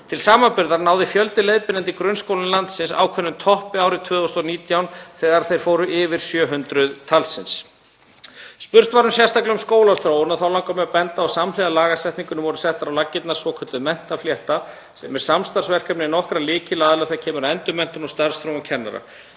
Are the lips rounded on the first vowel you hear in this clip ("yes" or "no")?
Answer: no